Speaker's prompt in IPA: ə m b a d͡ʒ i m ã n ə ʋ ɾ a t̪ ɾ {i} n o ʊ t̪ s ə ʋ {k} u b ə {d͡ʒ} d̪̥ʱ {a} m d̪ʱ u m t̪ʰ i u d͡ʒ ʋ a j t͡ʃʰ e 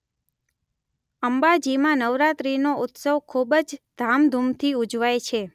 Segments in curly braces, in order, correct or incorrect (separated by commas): correct, incorrect, correct, correct